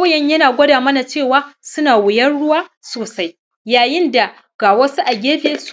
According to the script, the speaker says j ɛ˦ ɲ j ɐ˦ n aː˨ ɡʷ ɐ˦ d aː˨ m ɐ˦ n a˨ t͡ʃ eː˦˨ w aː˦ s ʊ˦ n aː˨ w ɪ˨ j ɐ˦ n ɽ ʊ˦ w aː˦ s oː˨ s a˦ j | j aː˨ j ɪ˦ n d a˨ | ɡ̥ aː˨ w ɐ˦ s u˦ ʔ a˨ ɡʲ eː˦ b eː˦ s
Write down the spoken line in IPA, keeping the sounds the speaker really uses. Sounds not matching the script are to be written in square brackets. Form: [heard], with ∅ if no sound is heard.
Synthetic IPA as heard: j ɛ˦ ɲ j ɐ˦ n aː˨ ɡʷ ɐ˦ d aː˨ m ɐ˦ n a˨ t͡ʃ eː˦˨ w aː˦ s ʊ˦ n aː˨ w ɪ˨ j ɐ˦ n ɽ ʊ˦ w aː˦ s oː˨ s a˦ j | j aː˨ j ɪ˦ n d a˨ | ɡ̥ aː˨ w ɐ˦ s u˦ ʔ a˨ ɡʲ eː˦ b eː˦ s